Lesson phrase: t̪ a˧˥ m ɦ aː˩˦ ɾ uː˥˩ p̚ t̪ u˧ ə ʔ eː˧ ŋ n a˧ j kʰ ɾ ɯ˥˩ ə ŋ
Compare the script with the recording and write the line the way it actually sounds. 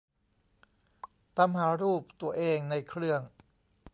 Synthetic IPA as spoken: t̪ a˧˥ m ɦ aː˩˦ ɾ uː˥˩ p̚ t̪ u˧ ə ʔ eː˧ ŋ n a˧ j kʰ ɾ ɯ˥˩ ə ŋ